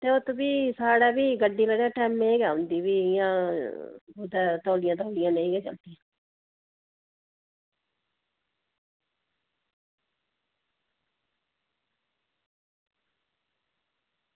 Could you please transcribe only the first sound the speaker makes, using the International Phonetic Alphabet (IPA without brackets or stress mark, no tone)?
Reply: t̪